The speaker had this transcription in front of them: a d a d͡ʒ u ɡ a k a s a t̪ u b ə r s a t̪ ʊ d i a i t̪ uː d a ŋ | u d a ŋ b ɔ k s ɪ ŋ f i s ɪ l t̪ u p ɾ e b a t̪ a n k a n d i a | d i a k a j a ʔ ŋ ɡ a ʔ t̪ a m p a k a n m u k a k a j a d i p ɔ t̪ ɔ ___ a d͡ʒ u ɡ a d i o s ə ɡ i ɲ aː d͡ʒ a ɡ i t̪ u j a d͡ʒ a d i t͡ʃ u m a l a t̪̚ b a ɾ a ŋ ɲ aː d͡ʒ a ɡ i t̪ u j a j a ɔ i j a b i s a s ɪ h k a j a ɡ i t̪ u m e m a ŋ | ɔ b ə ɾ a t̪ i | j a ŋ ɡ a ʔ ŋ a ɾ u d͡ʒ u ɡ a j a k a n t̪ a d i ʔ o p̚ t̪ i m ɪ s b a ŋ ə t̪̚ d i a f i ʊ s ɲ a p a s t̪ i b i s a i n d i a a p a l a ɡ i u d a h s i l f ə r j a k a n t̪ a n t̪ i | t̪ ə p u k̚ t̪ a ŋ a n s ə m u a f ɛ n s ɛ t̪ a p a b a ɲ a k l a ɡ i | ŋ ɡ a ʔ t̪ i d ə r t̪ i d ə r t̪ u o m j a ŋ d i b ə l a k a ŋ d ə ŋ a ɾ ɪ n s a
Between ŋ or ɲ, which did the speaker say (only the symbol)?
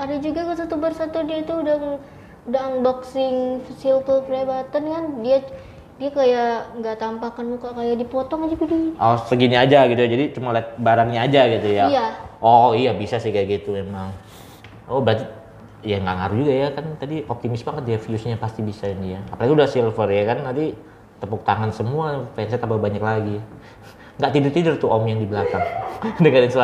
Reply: ŋ